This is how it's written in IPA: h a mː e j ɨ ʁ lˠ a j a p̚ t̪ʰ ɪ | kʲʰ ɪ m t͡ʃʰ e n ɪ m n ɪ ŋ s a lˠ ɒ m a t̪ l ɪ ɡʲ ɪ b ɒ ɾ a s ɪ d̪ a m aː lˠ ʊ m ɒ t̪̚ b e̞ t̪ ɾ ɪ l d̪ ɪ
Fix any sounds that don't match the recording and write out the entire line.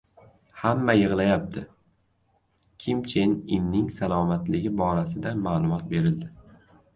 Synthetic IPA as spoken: h a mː a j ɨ ʁ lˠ a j a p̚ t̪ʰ ɪ | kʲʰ ɪ m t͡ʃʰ e n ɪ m n ɪ ŋ s a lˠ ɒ m a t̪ l ɪ ɡʲ ɪ b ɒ ɾ a s ɪ d̪ a m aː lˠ ʊ m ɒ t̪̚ b e̞ ɾ ɪ l d̪ ɪ

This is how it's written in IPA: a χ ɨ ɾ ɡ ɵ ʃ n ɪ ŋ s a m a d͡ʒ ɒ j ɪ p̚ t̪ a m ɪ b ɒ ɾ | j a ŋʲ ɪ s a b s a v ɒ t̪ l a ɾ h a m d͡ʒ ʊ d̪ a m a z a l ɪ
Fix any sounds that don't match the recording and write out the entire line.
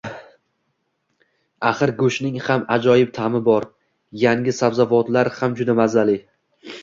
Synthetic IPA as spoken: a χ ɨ ɾ ɡ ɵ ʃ n ɪ ŋ h a m a d͡ʒ ɒ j ɪ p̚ t̪ʰ a m ɪ b ɒ ɾ | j a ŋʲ ɪ s a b z a v ɒ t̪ l a ɾ h a m d͡ʒ ʊ d̪ a m a z a l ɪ

